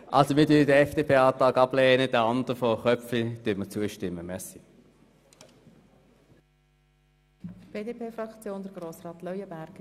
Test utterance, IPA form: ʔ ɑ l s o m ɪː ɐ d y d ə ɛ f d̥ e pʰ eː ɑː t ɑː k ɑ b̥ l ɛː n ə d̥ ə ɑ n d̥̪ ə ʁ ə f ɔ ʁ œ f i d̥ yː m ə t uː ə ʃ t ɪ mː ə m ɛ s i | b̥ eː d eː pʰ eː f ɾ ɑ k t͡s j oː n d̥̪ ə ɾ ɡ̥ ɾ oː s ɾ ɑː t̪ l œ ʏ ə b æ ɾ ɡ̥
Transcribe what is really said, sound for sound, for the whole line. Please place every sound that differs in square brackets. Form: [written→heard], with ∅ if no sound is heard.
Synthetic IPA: ʔ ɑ l s o m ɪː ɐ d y d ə ɛ f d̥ e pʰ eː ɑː t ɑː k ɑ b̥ l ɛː n ə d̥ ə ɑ n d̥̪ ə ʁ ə f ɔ [ʁ→χ] œ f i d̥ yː m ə [t→t͡s] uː ə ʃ t ɪ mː ə m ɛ s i | b̥ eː d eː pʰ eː f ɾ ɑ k t͡s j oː n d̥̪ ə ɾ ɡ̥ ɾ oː s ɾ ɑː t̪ l œ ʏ ə b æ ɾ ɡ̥